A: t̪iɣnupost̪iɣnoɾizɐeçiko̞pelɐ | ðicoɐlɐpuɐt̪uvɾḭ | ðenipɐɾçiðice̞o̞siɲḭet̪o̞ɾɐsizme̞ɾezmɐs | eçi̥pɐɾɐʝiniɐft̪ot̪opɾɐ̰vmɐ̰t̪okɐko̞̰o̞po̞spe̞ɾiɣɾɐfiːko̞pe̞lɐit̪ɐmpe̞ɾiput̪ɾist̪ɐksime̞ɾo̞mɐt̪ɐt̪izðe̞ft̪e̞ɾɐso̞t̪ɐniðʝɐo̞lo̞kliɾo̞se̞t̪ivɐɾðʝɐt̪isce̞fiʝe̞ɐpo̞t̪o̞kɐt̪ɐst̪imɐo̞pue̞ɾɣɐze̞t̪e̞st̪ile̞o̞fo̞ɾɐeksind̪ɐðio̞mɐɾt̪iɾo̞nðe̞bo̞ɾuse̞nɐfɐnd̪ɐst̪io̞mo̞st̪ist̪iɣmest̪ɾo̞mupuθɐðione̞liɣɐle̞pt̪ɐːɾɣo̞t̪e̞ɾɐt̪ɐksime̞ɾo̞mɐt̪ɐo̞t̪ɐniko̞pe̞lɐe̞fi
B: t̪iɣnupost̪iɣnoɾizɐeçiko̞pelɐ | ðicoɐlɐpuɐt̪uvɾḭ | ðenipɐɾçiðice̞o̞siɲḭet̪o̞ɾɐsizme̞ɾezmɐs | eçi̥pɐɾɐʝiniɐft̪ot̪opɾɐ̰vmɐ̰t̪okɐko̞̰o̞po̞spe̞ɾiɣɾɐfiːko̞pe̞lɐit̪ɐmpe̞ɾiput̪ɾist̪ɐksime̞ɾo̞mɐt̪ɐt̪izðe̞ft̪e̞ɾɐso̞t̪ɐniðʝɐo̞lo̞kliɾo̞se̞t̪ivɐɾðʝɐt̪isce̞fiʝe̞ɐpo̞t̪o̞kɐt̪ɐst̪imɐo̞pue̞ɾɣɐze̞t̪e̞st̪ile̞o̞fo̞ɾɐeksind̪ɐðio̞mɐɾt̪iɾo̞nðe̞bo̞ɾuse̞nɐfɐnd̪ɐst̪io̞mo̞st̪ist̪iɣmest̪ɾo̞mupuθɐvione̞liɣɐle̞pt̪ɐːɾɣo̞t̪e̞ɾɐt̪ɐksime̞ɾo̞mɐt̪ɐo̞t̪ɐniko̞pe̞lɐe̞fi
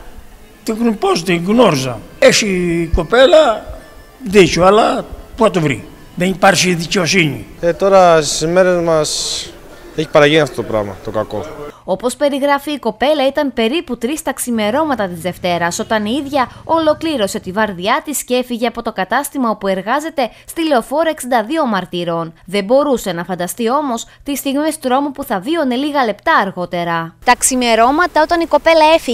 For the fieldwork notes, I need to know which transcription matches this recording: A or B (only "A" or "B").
B